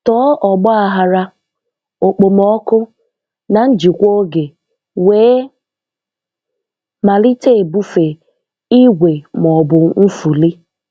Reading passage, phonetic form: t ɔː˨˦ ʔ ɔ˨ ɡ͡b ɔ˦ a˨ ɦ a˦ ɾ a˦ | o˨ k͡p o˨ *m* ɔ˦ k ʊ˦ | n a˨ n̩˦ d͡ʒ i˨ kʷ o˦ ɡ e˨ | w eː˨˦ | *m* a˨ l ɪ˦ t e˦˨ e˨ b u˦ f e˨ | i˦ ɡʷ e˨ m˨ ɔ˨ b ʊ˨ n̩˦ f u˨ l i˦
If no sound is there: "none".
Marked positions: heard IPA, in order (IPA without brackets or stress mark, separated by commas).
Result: m, m